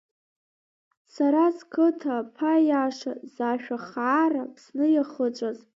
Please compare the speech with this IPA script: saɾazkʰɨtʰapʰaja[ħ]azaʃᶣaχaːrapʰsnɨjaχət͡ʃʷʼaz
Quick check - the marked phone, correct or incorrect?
incorrect